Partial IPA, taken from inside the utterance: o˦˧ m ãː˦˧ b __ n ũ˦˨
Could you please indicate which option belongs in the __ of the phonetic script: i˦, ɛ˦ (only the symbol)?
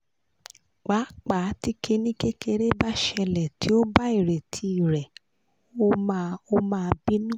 i˦